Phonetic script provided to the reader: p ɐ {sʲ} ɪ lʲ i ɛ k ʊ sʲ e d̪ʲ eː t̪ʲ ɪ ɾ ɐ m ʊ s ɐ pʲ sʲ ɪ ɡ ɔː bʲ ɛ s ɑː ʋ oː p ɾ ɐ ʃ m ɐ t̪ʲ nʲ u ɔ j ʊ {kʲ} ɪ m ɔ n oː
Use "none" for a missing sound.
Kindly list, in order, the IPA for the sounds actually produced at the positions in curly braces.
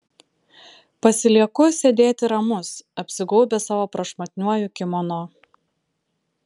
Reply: sʲ, kʲ

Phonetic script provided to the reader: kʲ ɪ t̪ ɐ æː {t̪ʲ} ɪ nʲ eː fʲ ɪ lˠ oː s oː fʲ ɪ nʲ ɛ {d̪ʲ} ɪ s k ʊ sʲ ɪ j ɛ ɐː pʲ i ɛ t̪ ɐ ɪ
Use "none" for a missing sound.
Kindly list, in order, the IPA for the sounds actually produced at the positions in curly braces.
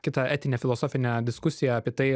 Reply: t̪ʲ, d̪ʲ

